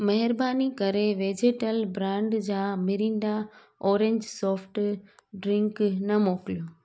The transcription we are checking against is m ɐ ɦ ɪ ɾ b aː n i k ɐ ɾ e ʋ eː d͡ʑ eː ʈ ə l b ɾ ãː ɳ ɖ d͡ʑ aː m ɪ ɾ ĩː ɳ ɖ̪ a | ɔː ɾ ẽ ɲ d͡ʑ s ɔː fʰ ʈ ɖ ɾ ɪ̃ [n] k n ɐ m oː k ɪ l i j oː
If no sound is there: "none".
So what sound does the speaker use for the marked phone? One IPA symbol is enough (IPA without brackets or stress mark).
ŋ